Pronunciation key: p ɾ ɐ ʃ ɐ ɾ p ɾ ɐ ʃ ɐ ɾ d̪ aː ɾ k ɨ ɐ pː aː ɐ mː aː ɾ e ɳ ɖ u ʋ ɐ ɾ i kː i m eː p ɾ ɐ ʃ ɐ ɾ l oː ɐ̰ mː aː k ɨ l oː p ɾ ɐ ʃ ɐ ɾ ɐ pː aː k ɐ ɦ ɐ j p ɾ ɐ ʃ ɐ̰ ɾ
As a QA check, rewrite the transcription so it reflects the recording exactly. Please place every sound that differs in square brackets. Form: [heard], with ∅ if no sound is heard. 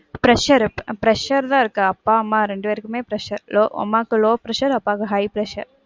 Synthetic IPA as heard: p ɾ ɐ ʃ ɐ ɾ p ɾ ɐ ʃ ɐ ɾ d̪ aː ɾ k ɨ ɐ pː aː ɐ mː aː ɾ e ɳ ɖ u ʋ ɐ ɾ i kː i m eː p ɾ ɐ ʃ ɐ ɾ l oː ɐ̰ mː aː k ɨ l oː p ɾ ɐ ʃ ɐ ɾ ɐ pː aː k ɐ ɦ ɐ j p ɾ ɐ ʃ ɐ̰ ɾ